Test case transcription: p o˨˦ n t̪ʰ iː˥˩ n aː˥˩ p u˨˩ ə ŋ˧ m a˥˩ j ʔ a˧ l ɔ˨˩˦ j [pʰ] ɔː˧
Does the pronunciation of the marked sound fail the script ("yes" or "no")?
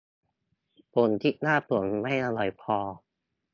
no